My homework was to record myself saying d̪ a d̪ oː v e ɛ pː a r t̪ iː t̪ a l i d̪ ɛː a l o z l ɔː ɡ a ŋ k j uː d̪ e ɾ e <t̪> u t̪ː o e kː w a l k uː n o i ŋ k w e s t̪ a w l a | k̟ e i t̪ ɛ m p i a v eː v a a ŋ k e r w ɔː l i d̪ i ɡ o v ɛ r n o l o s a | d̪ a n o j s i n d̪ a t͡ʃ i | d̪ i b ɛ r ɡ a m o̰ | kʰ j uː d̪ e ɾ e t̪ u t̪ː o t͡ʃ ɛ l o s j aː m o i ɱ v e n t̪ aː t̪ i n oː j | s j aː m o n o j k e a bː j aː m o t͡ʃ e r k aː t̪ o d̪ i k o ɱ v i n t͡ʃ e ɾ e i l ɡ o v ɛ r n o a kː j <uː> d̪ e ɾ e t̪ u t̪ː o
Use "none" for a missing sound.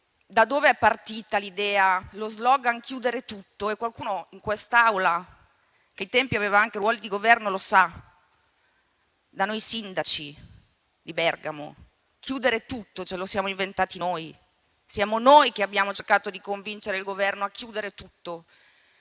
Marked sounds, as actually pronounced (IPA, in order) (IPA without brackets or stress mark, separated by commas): t̪, uː